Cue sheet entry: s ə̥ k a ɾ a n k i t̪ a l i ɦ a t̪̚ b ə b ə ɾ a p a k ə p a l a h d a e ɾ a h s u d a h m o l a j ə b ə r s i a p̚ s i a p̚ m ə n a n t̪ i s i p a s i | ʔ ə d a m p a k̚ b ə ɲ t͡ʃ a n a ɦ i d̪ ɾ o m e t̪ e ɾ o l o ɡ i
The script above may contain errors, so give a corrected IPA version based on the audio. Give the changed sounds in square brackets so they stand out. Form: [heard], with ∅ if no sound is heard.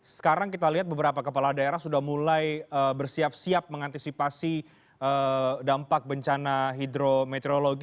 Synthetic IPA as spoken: s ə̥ k a ɾ a [ŋ] k i t̪ a l i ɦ a t̪̚ b ə b ə ɾ a p a k ə p a l a h d a e ɾ a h s u d a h m [u] l a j ə b ə r s i a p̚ s i a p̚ m ə [ŋ] a n t̪ i s i p a s i | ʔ ə d a m p a k̚ b ə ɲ t͡ʃ a n a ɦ i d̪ ɾ o m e t̪ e ɾ o l o ɡ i